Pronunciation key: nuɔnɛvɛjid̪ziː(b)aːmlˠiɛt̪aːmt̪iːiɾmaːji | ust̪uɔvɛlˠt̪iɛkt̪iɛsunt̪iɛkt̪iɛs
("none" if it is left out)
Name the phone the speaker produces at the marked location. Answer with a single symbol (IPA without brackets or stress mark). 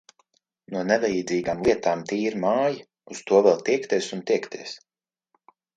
ɡ